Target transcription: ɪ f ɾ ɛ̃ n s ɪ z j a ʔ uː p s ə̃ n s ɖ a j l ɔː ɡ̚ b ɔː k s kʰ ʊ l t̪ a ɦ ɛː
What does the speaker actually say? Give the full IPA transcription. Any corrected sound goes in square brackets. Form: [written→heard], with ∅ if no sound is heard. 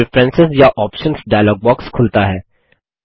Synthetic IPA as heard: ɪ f ɾ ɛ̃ n s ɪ z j a ʔ [uː→ɔː] p [s→ʃ] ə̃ n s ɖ a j l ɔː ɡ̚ b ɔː k s kʰ ʊ l t̪ a ɦ ɛː